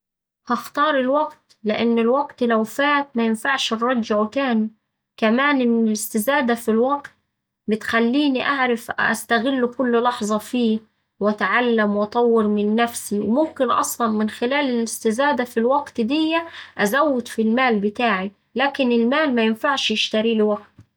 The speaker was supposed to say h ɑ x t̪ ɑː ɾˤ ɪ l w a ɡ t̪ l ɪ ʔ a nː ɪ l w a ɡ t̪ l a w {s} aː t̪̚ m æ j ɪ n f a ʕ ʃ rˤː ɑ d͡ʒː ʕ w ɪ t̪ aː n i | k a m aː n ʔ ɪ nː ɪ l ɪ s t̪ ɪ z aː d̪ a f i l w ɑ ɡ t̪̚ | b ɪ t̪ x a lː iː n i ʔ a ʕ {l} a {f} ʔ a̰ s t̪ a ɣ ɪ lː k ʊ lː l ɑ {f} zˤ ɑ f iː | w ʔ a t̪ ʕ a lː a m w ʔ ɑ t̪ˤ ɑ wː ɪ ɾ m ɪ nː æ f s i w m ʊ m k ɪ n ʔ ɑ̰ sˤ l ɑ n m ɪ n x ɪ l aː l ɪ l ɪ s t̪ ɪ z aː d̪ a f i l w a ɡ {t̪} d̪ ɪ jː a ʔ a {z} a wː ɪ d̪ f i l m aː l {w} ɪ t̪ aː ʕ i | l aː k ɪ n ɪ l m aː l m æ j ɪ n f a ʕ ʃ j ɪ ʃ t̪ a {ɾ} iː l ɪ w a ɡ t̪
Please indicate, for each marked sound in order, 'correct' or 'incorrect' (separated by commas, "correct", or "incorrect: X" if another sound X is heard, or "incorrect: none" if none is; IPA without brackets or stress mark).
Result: incorrect: f, incorrect: ɾ, correct, incorrect: ħ, correct, correct, incorrect: b, correct